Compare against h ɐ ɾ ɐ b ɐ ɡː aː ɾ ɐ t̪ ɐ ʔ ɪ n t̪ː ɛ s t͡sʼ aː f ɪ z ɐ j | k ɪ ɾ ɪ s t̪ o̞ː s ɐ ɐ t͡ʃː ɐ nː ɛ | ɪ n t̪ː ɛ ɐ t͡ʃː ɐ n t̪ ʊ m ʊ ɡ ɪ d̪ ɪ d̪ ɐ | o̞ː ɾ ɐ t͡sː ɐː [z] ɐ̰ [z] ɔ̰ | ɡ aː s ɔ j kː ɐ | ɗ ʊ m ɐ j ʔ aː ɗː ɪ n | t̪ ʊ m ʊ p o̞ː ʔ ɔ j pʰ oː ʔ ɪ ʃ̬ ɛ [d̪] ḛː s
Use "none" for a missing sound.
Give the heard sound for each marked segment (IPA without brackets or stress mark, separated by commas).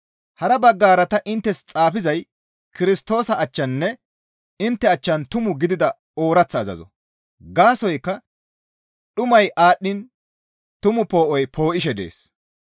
z, z, d̪